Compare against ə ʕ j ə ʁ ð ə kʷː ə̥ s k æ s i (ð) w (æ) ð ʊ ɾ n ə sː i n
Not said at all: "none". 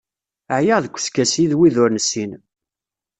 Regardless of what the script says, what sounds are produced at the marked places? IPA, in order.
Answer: ð, i

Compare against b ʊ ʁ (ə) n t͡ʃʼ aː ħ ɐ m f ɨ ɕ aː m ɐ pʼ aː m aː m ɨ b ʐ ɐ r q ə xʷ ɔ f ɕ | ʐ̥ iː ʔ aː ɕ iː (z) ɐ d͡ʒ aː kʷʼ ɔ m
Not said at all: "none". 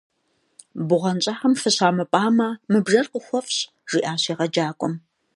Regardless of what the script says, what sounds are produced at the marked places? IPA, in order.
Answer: ɐ, ʁ

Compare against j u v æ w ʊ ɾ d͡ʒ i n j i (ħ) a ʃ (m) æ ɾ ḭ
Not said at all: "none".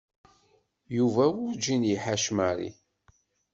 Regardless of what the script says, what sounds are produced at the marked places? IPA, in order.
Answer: ħ, m

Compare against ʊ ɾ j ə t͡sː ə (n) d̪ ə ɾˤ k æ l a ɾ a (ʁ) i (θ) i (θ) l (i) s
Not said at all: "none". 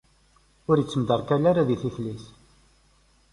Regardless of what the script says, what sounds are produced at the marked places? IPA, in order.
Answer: m, ð, θ, θ, i

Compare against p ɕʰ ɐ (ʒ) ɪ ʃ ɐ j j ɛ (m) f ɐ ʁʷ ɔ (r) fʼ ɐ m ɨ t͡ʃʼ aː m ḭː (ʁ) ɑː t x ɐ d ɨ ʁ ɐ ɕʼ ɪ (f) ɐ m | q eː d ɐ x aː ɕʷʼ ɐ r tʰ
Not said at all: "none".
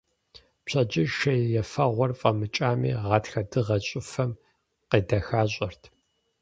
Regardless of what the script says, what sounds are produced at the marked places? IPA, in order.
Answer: d͡ʒ, none, r, ʁ, f

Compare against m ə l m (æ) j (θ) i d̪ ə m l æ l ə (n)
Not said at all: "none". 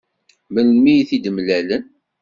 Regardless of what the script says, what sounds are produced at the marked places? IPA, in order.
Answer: i, θ, n

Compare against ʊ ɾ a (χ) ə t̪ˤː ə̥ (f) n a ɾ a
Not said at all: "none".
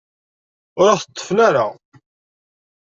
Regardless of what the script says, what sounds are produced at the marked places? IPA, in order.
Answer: θ, f

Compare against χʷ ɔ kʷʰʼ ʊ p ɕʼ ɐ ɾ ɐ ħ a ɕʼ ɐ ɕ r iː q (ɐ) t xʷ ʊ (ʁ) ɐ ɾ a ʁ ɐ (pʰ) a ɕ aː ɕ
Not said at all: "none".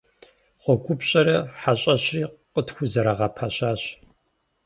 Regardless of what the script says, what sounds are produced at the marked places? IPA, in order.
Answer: ə, z, pʰ

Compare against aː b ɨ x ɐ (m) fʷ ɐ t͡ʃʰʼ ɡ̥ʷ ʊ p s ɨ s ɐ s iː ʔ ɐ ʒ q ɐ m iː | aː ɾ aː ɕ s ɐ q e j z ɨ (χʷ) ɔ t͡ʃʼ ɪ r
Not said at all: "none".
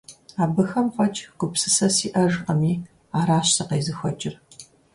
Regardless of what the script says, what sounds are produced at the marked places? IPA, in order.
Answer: m, xʷ

